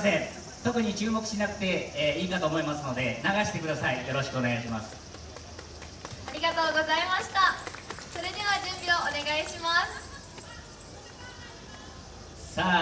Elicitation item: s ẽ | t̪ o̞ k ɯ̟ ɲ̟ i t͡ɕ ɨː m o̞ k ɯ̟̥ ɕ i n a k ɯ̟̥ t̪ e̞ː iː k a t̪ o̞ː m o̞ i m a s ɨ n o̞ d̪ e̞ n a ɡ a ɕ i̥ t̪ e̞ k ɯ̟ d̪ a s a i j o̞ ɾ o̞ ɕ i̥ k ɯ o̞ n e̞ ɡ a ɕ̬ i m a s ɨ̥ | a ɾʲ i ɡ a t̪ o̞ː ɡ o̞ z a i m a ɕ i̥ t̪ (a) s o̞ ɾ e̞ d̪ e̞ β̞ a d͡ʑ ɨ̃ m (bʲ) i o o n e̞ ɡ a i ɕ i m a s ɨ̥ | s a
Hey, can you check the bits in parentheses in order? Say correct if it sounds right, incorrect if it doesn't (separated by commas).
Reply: correct, correct